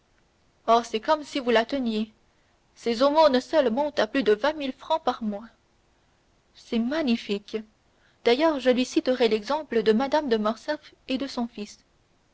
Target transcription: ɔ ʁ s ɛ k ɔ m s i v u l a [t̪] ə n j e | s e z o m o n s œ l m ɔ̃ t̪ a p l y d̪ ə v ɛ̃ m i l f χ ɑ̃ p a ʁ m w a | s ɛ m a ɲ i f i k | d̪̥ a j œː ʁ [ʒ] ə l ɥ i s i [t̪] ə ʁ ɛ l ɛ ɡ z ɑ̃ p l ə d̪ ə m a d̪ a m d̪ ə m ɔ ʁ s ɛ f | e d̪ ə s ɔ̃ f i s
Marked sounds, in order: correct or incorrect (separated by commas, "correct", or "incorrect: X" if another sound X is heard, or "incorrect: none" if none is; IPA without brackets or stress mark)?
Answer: correct, correct, correct